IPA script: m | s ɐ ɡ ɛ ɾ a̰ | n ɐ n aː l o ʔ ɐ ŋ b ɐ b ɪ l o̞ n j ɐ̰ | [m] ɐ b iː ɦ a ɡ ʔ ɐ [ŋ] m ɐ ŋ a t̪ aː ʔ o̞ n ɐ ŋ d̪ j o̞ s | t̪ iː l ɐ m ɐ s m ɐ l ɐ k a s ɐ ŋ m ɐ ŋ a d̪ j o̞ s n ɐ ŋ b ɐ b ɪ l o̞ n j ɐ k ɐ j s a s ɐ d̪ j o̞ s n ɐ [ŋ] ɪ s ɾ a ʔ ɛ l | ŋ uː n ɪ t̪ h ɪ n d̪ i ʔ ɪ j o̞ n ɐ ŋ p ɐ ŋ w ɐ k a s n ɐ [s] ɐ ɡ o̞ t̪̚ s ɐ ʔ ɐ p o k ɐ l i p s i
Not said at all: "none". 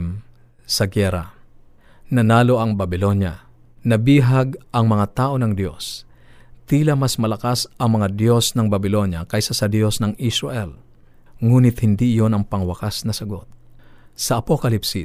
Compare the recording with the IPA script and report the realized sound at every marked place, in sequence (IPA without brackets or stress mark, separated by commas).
n, ŋ, ŋ, s